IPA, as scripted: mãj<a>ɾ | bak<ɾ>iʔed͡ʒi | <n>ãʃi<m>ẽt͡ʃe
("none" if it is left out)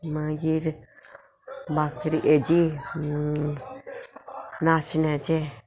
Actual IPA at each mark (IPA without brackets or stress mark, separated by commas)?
i, ɾ, n, n